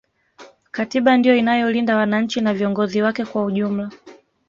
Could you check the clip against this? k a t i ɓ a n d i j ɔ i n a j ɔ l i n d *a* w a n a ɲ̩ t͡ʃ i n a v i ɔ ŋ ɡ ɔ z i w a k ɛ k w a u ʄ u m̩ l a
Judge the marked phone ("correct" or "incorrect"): correct